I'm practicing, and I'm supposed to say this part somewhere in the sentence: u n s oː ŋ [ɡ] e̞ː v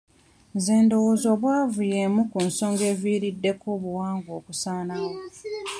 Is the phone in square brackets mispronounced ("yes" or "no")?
no